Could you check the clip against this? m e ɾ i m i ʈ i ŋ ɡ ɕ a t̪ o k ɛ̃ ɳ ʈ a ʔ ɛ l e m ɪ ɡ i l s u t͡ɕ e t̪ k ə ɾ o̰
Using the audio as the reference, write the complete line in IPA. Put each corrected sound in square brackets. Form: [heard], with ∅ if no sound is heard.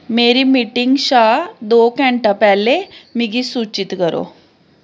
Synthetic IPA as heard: m e ɾ i m i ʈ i ŋ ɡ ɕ a [d̪] o k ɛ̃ ɳ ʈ a [p] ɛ l e m [i] ɡ i [∅] s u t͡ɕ [i] t̪ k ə ɾ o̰